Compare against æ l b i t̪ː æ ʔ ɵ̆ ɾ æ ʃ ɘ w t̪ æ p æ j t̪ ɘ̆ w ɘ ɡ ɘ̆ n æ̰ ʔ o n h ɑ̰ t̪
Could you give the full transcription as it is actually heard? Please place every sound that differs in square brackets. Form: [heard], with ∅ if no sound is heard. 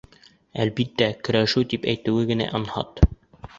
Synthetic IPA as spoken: æ l b i t̪ː æ [k] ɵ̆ ɾ æ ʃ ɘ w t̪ [i] p æ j t̪ ɘ̆ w ɘ ɡ ɘ̆ n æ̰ ʔ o n h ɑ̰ t̪